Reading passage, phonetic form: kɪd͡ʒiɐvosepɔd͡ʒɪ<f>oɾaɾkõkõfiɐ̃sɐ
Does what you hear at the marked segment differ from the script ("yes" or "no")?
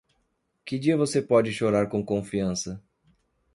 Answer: yes